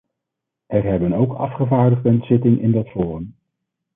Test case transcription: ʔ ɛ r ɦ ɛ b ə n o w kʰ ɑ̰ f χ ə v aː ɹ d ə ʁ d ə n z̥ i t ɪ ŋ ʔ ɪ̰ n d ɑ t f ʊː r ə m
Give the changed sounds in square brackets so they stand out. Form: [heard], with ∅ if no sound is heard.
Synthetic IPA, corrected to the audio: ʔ ɛ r ɦ ɛ b ə n o w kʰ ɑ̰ f χ ə v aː ɹ d ə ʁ d ə n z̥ [ɪ] t ɪ ŋ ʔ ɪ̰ n d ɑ t f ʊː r ə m

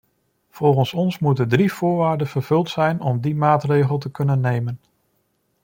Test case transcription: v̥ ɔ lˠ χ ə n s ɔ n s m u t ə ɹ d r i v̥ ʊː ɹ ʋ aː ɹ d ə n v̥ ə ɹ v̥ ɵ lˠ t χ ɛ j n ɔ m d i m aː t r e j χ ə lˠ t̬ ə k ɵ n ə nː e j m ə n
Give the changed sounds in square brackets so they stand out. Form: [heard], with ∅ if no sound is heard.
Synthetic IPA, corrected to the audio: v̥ ɔ lˠ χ ə n s ɔ n s m u t ə [∅] d r i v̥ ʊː ɹ ʋ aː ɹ d ə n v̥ ə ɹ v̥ ɵ lˠ t [s] ɛ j n ɔ m d i m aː t r e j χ ə lˠ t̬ ə k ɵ n ə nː e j m ə n

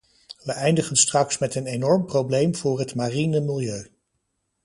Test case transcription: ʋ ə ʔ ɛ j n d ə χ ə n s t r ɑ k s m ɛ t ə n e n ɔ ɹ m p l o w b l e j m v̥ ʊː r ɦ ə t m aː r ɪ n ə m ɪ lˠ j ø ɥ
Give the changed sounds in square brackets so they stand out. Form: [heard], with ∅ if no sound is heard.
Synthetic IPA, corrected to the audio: ʋ ə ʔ ɛ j n d ə χ ə n s t r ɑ k s m ɛ t ə n e n ɔ ɹ m p [r] o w b l e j m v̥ ʊː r ɦ ə t m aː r [i] n ə m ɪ lˠ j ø ɥ

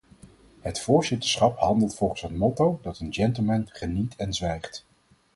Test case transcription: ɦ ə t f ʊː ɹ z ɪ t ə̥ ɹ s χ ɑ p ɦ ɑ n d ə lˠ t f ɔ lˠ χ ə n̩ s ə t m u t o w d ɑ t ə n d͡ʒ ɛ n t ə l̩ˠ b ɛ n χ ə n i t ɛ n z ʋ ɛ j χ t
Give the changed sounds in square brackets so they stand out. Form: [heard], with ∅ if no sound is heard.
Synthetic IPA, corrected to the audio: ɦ ə t f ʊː ɹ z ɪ t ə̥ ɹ s χ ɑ p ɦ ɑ n d ə lˠ t f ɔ lˠ χ ə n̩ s ə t m [ɔ] t o w d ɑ t ə n d͡ʒ ɛ n t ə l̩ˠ [m] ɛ n χ ə n i t ɛ n z ʋ ɛ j χ t

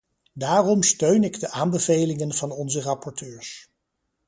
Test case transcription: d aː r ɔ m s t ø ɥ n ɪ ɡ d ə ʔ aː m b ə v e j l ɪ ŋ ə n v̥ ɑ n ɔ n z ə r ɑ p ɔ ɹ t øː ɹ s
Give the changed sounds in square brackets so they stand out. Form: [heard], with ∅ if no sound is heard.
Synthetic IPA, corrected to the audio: d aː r ɔ m s t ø ɥ n ɪ ɡ d ə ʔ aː m b ə v e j l ɪ ŋ ə n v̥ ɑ n ɔ n z ə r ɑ p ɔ ɹ t øː ɹ s

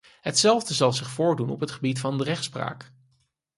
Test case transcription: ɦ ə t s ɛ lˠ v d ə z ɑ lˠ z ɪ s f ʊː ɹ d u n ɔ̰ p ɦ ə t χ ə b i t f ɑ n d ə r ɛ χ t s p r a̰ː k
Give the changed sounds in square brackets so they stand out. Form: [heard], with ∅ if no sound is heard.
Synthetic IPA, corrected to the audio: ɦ ə t s ɛ lˠ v d ə z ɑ lˠ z ɪ [χ] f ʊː ɹ d u n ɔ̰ p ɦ ə t χ ə b i t f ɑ n d ə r ɛ χ t s p r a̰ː k

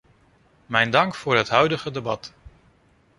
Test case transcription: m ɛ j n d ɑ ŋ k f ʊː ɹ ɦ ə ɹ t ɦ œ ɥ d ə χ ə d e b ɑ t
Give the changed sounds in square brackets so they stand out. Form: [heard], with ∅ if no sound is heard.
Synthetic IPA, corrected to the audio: m ɛ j n d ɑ ŋ k f ʊː ɹ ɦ ə [∅] t ɦ œ ɥ d ə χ ə d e b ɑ t

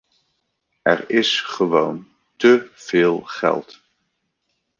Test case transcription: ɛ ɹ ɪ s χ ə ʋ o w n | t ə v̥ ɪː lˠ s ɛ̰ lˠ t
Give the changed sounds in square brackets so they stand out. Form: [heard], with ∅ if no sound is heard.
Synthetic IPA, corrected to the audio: ɛ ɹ ɪ s χ ə ʋ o w n | t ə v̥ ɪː lˠ [χ] ɛ̰ lˠ t

